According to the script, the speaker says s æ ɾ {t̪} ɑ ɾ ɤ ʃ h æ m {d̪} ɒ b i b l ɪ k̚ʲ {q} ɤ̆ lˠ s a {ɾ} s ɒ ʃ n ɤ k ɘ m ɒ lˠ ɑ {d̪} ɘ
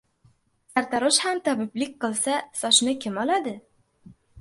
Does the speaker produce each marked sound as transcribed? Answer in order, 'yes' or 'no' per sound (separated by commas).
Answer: yes, no, yes, no, yes